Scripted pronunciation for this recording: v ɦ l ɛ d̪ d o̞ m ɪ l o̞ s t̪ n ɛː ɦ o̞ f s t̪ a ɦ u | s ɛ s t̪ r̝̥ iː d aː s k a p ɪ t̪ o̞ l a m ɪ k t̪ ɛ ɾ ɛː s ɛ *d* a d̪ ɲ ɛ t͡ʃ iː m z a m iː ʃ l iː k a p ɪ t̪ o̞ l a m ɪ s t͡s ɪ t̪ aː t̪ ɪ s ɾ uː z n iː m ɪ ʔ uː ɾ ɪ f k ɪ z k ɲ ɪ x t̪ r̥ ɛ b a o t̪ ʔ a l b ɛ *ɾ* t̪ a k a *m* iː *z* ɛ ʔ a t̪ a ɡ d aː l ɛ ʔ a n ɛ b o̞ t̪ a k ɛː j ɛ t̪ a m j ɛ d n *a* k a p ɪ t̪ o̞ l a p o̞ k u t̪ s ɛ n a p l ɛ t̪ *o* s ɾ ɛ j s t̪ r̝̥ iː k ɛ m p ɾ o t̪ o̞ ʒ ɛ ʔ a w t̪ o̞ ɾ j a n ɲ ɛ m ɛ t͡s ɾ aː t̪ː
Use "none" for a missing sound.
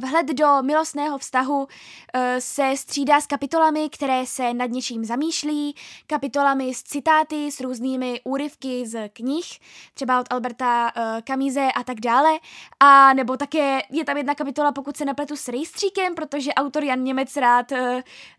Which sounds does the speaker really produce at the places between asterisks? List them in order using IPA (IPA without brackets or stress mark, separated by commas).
n, ɾ, m, z, a, u